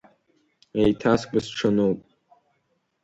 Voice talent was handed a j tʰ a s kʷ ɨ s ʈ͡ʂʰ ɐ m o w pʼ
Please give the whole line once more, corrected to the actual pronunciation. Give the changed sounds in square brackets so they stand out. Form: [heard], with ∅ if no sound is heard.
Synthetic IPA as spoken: [e] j tʰ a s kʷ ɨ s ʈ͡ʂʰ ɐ [n] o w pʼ

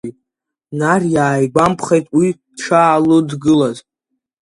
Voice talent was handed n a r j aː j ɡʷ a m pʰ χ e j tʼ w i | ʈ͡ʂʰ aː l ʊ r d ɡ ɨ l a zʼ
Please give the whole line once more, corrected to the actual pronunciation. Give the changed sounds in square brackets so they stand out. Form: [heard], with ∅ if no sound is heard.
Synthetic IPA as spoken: n a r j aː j ɡʷ a m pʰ χ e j tʼ w i | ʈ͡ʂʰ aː l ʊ [∅] d ɡ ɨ l a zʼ

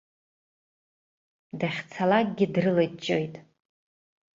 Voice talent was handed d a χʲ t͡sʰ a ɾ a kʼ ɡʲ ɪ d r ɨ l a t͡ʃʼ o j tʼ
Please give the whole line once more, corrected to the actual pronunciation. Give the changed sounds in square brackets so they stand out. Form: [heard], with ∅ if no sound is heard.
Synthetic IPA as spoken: d a χʲ t͡sʰ a [l] a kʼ ɡʲ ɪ d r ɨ l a t͡ʃʼ o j tʼ

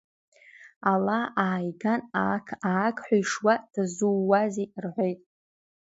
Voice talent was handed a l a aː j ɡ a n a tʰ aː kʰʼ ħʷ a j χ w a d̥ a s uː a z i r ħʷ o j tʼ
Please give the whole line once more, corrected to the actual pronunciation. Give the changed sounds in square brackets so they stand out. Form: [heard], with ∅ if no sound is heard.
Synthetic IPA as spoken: a l a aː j ɡ a n a [kʰ] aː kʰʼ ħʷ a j [ʂ] w a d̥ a [z] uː a z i r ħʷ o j tʼ

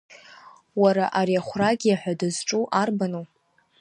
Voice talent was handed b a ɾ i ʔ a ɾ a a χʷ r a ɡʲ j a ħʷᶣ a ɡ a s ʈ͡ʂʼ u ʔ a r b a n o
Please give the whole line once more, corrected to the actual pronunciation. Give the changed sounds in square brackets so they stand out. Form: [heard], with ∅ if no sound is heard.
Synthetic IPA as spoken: [w] a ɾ [a] ʔ a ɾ [i] a χʷ r a ɡʲ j a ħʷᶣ a [d] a [z] ʈ͡ʂʼ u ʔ a r b a n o

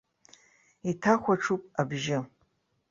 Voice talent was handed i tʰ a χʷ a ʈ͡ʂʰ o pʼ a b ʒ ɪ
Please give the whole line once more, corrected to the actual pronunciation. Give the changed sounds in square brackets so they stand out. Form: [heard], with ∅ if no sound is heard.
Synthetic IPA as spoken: i tʰ a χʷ a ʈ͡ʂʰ [u] pʼ a b ʒ ɪ

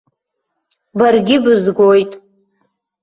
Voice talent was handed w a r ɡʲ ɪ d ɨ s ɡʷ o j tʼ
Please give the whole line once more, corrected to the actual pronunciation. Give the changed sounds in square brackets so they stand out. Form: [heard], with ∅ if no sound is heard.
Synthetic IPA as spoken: [b] a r ɡʲ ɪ [b] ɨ [z] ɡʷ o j tʼ

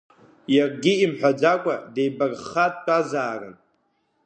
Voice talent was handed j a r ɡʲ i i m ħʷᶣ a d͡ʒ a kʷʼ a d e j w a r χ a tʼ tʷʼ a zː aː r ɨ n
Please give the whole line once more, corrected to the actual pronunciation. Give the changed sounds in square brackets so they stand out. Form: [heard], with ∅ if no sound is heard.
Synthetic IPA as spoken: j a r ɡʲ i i m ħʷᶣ a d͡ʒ a kʷʼ a d e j [b] a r χ a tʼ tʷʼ a [z] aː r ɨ n

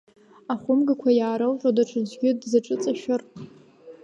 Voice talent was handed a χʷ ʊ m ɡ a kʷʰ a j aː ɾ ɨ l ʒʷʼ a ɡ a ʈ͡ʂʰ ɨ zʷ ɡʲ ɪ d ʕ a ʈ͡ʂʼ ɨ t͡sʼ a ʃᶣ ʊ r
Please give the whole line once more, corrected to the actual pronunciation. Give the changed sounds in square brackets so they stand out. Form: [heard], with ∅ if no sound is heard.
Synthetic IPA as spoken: a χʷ ʊ m ɡ a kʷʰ a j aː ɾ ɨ l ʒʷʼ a [d] a ʈ͡ʂʰ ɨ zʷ ɡʲ ɪ d [z] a ʈ͡ʂʼ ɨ t͡sʼ a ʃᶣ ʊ r

